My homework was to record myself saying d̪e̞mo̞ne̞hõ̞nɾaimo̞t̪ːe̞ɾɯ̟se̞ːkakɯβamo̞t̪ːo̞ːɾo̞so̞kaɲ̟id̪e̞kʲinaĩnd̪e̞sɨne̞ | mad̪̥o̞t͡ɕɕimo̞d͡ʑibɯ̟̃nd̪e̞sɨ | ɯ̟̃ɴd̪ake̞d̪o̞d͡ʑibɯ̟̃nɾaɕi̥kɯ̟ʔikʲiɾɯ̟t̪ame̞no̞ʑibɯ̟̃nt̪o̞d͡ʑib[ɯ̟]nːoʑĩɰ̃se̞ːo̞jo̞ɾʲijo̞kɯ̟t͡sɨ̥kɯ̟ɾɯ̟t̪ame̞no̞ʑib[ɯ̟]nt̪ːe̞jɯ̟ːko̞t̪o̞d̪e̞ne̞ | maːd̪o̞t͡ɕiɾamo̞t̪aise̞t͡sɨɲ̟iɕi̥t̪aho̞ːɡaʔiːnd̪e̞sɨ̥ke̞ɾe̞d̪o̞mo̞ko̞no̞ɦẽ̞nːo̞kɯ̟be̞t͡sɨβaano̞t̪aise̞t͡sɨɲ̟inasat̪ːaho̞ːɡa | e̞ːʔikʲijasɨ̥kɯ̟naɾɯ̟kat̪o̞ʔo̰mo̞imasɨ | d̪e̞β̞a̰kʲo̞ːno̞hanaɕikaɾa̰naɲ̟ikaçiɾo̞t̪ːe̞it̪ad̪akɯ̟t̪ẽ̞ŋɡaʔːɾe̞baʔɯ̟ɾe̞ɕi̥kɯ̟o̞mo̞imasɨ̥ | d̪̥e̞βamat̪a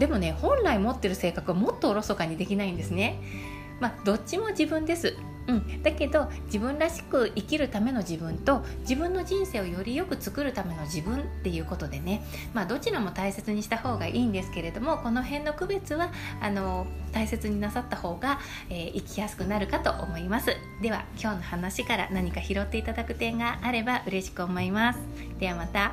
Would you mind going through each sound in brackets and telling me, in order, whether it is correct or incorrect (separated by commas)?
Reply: incorrect, incorrect